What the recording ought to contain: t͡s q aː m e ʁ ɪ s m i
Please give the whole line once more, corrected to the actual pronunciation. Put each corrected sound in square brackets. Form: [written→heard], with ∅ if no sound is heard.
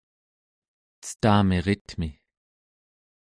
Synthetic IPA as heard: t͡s [q→t] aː m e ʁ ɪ [s→t] m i